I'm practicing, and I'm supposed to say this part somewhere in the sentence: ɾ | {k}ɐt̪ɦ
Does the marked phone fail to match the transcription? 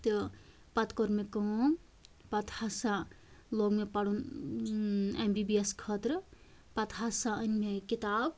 yes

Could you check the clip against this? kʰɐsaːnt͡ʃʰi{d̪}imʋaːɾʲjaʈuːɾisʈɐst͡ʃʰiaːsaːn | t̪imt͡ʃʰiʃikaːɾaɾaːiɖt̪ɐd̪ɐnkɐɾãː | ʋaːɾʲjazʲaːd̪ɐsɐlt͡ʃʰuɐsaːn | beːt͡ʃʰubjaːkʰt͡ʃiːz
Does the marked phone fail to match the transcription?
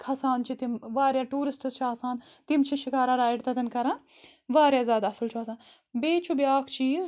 yes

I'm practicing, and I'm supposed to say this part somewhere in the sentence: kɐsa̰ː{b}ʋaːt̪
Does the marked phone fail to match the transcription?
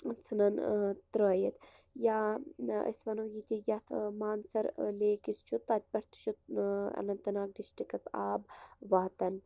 no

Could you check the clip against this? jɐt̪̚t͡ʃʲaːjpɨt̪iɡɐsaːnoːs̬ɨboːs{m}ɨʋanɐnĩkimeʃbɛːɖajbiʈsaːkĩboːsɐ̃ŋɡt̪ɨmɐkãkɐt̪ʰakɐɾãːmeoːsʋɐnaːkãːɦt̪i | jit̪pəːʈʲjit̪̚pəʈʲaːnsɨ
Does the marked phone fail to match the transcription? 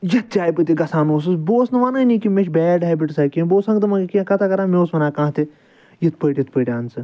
yes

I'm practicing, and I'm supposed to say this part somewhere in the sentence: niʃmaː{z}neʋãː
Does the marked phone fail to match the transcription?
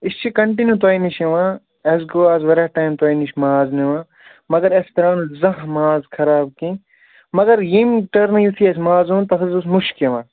no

